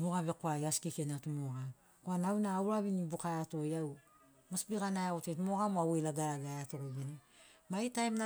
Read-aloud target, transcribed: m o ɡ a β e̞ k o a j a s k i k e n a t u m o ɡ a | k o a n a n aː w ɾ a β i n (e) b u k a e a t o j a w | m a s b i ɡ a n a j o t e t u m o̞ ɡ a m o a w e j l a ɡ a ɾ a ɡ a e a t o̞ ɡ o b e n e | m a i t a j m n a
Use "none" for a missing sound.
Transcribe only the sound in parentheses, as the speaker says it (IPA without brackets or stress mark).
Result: i